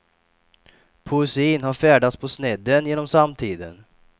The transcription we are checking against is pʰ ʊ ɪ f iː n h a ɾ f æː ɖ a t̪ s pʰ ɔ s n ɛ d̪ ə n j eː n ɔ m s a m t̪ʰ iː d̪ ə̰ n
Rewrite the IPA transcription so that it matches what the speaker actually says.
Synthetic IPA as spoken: pʰ ʊ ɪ s iː n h a ɾ f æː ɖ a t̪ s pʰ ɔ s n ɛ d̪ ə n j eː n ɔ m s a m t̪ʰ iː d̪ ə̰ n